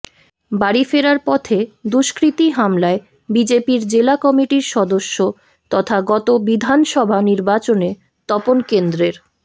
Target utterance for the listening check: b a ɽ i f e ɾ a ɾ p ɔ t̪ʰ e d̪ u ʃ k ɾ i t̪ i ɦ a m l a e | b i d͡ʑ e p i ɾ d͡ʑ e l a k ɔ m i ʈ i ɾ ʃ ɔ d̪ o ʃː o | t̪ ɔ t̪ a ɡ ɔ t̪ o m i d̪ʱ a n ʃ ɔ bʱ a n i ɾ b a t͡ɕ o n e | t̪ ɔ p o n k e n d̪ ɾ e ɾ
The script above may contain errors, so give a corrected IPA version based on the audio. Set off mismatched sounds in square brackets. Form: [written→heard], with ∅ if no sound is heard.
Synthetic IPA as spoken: b a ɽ i f e ɾ a ɾ p ɔ t̪ʰ e d̪ u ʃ k ɾ i t̪ i ɦ a m l a e | b i d͡ʑ e p i ɾ d͡ʑ e l a k ɔ m i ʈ i ɾ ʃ ɔ d̪ o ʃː o | t̪ ɔ [t̪→t̪ʰ] a ɡ ɔ t̪ o [m→b] i d̪ʱ a n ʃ ɔ bʱ a n i ɾ b a t͡ɕ o n e | t̪ ɔ p o n k e n d̪ ɾ e ɾ